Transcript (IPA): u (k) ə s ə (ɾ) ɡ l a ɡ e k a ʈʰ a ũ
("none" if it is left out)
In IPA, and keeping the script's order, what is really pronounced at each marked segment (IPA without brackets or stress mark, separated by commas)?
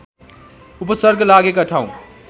p, ɾ